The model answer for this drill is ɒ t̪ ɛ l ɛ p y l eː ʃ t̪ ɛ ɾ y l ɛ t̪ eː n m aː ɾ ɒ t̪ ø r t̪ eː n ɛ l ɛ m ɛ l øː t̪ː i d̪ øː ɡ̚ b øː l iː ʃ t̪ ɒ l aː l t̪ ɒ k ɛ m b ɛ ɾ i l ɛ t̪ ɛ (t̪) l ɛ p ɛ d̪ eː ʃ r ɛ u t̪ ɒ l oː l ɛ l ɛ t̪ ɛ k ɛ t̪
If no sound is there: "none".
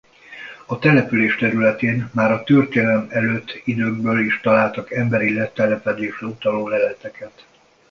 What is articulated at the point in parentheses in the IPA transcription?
none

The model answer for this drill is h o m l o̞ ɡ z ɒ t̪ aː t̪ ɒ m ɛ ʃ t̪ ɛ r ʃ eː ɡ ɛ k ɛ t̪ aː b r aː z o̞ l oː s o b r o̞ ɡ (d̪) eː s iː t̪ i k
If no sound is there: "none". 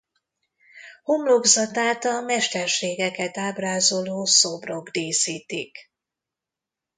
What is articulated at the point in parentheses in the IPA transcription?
d̪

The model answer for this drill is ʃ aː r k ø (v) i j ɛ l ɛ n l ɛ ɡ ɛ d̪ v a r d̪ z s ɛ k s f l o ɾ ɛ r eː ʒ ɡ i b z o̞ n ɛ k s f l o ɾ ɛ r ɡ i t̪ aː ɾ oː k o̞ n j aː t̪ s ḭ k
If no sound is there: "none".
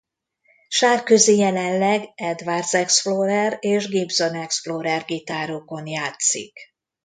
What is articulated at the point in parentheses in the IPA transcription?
z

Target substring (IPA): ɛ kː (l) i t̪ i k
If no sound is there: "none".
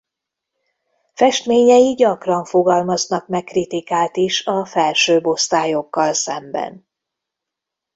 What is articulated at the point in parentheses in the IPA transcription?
r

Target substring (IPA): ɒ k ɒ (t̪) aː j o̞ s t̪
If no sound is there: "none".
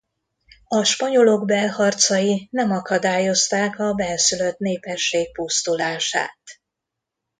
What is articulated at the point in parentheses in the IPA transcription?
d̪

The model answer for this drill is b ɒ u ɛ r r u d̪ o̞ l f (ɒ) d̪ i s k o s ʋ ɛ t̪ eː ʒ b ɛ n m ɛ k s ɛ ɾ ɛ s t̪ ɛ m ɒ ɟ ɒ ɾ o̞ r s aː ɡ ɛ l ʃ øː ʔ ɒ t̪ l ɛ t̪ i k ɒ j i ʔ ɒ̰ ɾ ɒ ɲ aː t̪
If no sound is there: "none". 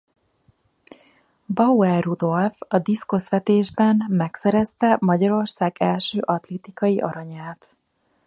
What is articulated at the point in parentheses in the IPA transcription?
ɒ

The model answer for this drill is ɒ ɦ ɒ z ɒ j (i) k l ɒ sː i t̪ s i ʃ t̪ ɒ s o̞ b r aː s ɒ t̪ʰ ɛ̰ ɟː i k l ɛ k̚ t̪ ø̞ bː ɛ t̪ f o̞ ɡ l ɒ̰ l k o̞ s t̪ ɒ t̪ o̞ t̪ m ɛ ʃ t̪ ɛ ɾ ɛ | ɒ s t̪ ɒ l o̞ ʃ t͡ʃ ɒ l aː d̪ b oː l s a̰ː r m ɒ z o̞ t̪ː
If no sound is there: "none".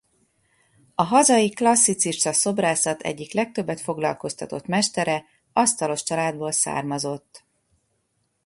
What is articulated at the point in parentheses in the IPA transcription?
i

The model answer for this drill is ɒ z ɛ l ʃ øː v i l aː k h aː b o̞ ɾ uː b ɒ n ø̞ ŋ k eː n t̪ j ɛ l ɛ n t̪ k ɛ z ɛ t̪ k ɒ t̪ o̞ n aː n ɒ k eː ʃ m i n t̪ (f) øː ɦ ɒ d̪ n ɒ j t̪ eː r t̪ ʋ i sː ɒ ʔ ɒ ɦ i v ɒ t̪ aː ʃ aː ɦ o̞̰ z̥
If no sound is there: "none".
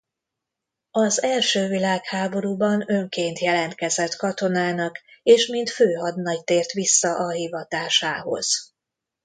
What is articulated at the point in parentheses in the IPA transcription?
f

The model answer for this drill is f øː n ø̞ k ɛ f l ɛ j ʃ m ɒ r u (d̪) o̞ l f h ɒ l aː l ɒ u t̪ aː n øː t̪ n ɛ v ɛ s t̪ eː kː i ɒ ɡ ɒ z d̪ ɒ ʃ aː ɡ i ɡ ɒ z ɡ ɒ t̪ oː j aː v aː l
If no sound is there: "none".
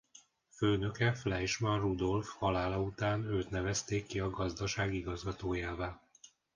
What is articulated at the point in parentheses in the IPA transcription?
d̪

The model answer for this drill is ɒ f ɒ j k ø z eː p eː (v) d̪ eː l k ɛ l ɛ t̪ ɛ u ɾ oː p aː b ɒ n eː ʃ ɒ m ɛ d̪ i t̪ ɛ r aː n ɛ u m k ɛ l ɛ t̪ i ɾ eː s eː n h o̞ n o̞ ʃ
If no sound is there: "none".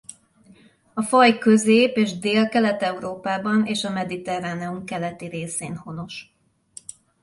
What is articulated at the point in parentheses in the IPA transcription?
ʒ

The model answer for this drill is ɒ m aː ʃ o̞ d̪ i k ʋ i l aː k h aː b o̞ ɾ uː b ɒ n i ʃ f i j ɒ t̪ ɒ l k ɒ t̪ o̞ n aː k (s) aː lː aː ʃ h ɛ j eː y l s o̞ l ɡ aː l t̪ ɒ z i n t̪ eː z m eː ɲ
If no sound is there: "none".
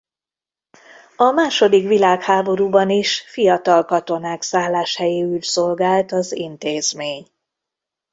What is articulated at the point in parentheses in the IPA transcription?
s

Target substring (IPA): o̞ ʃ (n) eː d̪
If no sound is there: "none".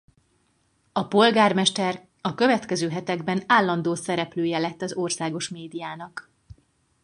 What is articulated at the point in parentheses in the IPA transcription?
m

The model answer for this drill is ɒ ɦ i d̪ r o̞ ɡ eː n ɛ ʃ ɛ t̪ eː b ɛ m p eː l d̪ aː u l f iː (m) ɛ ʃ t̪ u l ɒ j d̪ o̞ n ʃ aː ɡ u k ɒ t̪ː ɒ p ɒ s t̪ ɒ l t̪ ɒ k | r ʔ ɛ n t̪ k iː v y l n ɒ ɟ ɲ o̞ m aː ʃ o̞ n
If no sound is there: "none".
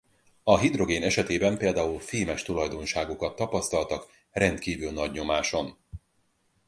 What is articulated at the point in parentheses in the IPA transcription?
m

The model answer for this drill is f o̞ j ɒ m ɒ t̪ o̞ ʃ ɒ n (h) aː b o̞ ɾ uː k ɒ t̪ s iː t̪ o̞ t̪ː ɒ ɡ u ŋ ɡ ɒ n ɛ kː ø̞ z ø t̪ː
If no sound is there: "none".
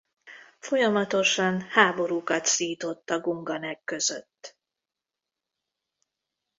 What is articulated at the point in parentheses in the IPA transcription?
h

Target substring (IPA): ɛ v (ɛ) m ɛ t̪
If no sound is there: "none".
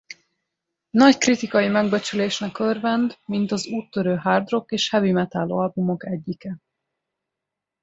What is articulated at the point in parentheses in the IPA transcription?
i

